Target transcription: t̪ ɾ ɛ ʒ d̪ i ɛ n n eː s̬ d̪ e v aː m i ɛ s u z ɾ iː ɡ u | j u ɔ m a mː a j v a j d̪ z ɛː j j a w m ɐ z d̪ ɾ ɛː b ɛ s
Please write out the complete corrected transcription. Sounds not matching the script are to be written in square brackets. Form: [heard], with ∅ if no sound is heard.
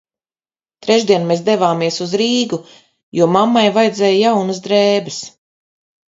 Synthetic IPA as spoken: t̪ ɾ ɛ ʒ d̪ i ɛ n [m] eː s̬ d̪ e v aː m i ɛ s u z ɾ iː ɡ u | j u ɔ m a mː a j v a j d̪ z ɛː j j a w [n] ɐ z d̪ ɾ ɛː b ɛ s